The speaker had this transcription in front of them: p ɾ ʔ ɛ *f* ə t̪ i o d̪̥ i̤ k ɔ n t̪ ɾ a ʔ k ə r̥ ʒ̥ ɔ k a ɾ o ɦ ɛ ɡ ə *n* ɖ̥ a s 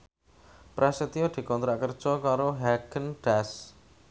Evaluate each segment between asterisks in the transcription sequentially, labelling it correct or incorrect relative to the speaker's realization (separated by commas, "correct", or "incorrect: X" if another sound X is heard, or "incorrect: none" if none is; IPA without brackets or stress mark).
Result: incorrect: s, correct